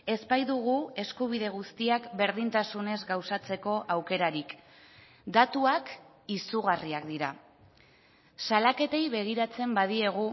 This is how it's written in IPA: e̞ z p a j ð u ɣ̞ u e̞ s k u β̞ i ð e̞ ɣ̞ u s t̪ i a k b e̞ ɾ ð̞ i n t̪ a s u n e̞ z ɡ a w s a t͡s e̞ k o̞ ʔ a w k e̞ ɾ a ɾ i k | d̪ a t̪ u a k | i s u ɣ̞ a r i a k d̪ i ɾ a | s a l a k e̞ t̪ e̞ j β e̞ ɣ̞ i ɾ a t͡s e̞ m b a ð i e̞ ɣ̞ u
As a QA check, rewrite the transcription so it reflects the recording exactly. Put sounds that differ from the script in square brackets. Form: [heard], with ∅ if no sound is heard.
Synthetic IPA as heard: e̞ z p a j ð u ɣ̞ u e̞ s k u β̞ i ð e̞ ɣ̞ u s t̪ i a k b e̞ ɾ ð̞ i n t̪ a s u n e̞ z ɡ a w s a t͡s e̞ k o̞ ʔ a w k e̞ ɾ a ɾ i k | d̪ a t̪ u a k | i s u ɣ̞ a r i a k d̪ i ɾ a | s a l a k e̞ t̪ e̞ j β e̞ ɣ̞ i ɾ a t͡s e̞ m b a ð i e̞ ɣ̞ u